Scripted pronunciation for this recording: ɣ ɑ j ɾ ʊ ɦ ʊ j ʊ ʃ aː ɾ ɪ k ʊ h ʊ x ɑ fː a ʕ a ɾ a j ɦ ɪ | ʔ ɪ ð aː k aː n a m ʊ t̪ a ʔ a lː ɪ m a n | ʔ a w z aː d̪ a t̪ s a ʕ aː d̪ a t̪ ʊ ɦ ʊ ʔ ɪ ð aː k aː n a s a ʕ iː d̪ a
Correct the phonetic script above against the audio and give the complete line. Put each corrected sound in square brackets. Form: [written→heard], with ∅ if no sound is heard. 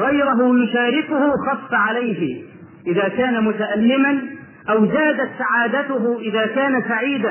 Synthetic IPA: ɣ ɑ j ɾ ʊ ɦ ʊ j ʊ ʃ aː ɾ ɪ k ʊ h ʊ x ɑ fː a ʕ a [ɾ→l] a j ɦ ɪ | ʔ ɪ ð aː k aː n a m ʊ t̪ a ʔ a lː ɪ m a n | ʔ a w z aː d̪ a t̪ s a ʕ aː d̪ a t̪ ʊ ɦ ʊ ʔ ɪ ð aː k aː n a s a ʕ iː d̪ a